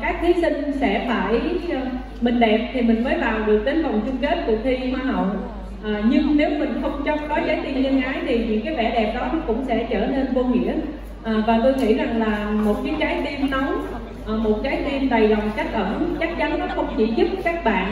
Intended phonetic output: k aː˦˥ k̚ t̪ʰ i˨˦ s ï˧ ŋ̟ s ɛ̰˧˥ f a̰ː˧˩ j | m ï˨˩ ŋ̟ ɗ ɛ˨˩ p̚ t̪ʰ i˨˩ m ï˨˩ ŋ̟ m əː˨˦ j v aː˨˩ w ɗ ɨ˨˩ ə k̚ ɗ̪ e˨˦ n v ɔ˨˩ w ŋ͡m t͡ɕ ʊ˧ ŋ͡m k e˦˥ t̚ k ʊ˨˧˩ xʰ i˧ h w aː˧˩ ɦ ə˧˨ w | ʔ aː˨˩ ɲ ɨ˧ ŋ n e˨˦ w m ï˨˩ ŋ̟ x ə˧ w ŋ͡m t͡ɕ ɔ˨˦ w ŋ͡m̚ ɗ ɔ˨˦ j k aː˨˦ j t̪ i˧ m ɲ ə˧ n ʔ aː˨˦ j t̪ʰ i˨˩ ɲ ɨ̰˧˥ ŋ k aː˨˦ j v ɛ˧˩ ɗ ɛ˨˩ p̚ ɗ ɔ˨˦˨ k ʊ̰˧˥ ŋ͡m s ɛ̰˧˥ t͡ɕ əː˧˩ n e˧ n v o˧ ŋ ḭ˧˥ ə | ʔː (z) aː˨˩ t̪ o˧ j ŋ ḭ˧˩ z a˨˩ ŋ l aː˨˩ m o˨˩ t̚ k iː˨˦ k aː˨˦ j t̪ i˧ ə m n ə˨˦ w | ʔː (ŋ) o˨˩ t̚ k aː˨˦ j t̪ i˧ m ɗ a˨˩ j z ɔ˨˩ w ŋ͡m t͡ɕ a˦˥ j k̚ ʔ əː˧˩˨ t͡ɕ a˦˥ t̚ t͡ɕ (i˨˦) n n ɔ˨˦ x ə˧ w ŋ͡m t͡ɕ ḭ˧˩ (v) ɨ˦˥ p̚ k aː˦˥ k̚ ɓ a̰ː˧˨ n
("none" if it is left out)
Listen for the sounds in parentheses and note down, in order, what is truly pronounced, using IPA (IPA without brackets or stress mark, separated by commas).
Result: v, m, a˨˦, z